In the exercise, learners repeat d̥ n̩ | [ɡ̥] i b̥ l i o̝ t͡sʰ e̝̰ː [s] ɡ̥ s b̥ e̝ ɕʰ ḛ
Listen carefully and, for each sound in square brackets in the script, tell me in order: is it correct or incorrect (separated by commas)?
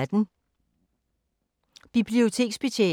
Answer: incorrect, incorrect